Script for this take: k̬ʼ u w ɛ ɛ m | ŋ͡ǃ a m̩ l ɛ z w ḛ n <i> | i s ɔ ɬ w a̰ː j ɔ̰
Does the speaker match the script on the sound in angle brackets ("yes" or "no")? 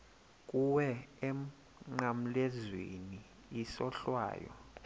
yes